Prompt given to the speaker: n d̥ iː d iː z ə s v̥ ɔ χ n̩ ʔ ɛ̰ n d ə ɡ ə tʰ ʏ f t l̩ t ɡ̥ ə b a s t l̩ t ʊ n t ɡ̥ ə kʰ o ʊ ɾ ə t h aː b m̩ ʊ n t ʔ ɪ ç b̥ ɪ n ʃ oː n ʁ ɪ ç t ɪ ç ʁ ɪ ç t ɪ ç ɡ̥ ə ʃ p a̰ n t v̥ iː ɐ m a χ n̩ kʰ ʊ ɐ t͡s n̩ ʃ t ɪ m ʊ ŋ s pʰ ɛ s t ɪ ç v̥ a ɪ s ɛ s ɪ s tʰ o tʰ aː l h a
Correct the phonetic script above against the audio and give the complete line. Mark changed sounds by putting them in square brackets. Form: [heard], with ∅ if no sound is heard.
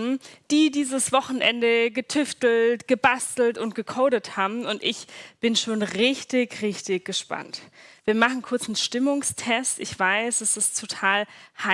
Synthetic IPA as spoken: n d̥ iː d iː z ə s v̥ ɔ χ n̩ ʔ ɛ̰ n d ə ɡ ə tʰ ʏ f t l̩ t ɡ̥ ə b a s t l̩ t ʊ n t ɡ̥ ə kʰ o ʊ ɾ ə t h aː b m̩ ʊ n t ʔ ɪ ç b̥ ɪ n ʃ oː n ʁ ɪ ç t ɪ ç ʁ ɪ ç t ɪ ç ɡ̥ ə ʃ p a̰ n t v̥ iː ɐ m a χ n̩ kʰ ʊ ɐ t͡s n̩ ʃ t ɪ m ʊ ŋ s [tʰ] ɛ s t ɪ ç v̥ a ɪ s ɛ s ɪ s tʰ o tʰ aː l h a